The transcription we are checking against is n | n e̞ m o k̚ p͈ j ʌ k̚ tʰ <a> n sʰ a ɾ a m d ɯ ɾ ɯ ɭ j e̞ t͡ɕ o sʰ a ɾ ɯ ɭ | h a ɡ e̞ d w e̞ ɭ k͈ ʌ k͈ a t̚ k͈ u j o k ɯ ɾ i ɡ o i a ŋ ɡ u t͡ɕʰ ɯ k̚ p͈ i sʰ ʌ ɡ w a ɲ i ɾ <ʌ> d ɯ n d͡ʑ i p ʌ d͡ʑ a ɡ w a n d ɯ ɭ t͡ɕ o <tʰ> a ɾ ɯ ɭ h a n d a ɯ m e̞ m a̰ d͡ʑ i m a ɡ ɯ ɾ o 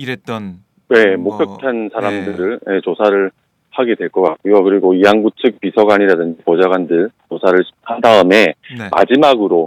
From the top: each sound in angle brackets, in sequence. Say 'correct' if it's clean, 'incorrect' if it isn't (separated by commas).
correct, incorrect, incorrect